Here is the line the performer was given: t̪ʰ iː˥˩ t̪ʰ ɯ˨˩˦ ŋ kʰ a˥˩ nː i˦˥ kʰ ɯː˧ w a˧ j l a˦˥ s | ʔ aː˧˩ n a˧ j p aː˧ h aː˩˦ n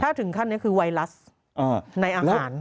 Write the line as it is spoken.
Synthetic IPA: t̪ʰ aː˥˩ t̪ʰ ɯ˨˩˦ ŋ kʰ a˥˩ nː i˦˥ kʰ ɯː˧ w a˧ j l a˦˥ s | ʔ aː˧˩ n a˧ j ʔ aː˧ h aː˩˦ n